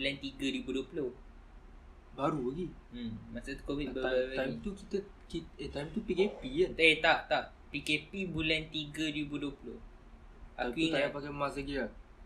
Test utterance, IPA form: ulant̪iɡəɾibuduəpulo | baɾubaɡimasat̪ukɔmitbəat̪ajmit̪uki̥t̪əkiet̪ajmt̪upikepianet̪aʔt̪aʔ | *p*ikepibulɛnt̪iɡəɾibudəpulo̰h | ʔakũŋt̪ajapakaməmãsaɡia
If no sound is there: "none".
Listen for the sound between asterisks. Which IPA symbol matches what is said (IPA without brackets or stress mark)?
p